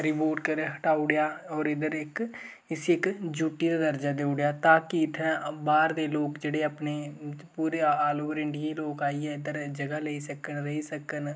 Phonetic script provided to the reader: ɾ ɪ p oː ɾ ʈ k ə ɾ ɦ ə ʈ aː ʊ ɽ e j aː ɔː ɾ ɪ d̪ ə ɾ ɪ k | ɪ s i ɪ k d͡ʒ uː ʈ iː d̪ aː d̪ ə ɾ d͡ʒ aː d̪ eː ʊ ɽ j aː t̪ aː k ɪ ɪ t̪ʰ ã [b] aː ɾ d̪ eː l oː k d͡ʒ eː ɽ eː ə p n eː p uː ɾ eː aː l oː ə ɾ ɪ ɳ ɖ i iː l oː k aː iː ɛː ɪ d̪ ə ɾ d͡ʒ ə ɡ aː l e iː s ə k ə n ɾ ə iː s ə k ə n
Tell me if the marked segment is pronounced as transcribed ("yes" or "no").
yes